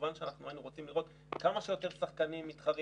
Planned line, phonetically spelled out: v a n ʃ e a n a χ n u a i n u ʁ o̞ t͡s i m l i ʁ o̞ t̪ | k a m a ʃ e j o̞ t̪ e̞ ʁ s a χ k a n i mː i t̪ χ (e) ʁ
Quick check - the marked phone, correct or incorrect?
incorrect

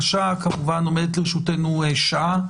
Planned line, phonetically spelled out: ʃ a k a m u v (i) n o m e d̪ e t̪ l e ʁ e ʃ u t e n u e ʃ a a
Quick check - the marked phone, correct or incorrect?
incorrect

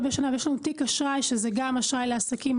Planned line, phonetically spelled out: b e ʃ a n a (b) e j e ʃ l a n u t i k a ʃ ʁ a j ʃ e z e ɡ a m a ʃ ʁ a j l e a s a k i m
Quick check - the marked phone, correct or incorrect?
incorrect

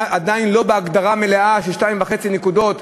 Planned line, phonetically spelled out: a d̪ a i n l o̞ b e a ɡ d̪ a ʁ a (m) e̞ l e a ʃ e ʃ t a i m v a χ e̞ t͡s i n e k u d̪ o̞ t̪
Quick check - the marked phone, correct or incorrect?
correct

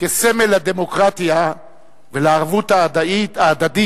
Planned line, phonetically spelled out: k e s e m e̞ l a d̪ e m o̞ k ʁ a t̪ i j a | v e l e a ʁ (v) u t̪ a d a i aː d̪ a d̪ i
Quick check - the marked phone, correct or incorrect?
correct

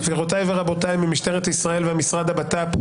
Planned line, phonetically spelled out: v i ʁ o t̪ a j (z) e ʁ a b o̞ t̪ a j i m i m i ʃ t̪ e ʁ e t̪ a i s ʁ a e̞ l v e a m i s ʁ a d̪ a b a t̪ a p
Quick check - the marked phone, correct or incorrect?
incorrect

